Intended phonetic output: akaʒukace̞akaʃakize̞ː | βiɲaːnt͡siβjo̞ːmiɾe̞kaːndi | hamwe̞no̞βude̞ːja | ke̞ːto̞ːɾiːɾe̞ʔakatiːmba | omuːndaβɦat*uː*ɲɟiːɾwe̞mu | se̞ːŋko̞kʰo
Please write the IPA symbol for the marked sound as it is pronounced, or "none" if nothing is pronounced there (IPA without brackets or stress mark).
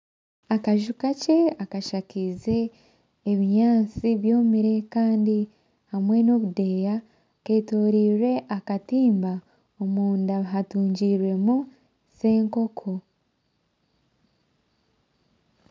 uː